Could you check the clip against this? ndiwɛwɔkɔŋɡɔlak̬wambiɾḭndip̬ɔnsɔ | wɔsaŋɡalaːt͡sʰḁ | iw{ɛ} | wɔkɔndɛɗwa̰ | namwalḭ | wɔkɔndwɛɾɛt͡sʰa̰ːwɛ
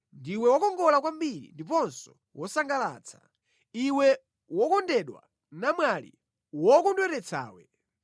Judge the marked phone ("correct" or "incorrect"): correct